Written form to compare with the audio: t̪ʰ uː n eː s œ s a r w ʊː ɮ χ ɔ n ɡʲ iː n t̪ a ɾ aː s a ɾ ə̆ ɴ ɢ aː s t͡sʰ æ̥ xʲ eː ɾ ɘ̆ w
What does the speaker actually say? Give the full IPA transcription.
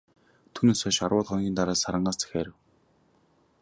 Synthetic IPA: t̪ʰ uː n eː s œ ʃ a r w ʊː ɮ χ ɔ n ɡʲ iː n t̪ a ɾ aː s a ɾ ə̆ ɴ ɢ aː s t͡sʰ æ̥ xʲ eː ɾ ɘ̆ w